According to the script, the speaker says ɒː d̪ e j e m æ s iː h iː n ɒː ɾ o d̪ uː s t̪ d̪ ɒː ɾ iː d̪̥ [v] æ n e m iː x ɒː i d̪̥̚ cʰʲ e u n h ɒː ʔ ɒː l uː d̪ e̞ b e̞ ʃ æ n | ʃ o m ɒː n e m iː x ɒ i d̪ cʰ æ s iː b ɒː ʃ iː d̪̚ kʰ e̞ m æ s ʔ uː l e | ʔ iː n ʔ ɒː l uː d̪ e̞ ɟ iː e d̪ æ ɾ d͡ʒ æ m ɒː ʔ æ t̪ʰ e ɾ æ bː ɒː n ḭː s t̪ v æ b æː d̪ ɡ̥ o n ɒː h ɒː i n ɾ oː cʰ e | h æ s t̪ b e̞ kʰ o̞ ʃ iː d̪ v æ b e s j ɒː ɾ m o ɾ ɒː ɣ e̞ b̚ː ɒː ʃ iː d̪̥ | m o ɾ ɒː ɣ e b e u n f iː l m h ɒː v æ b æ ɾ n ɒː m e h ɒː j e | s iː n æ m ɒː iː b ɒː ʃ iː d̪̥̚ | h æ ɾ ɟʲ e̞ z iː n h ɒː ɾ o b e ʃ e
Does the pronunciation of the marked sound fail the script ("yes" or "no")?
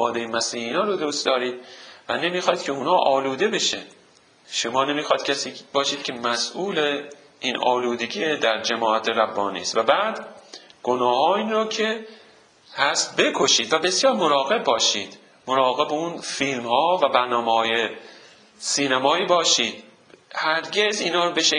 no